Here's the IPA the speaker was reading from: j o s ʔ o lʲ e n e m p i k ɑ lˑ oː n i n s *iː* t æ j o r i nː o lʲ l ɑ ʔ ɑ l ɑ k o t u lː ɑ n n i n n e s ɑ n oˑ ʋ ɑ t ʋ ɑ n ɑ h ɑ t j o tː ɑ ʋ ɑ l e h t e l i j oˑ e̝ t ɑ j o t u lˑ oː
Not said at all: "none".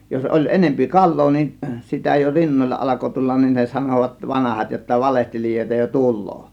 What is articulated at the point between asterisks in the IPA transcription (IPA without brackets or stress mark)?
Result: i